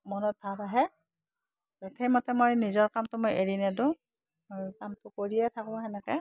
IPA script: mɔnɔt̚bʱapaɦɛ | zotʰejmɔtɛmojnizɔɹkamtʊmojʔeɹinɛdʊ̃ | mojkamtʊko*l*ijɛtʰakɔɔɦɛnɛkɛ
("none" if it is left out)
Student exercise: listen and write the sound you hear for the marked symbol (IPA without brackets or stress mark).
ɹ